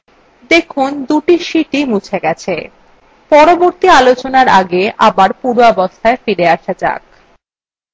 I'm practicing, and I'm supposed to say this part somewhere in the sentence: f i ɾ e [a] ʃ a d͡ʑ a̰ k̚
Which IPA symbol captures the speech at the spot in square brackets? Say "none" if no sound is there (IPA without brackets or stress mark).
a